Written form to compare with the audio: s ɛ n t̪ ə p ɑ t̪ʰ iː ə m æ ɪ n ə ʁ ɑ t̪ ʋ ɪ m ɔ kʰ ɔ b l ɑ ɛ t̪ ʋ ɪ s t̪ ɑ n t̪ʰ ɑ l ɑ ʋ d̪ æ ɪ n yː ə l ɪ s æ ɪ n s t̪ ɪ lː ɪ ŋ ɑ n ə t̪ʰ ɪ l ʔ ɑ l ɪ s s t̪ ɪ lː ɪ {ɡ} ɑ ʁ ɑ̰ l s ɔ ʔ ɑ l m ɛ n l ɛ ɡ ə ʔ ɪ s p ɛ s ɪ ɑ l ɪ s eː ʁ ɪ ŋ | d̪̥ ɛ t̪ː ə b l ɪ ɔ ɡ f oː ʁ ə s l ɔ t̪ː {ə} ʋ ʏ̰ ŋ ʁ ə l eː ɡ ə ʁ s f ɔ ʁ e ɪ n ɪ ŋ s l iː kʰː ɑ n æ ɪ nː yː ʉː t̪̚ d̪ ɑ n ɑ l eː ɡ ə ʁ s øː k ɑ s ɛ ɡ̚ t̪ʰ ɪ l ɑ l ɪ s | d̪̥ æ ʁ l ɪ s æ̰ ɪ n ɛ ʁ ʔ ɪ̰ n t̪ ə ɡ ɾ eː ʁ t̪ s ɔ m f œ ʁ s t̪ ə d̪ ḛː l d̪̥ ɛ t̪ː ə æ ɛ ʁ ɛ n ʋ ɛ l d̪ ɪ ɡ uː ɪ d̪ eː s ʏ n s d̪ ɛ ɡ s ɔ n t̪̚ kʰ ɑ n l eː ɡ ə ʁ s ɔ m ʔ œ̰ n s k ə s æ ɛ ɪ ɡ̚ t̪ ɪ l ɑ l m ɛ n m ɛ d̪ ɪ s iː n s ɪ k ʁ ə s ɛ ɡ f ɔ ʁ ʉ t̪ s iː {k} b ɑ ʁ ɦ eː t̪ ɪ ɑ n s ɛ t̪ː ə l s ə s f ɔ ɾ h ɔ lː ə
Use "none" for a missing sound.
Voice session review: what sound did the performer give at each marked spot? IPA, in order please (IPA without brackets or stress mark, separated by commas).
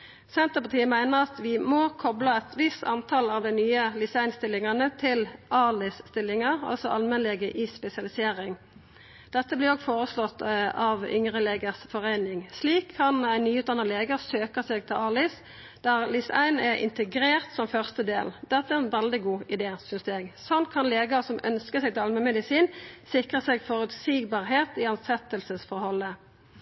ŋ, ɑ, ɡ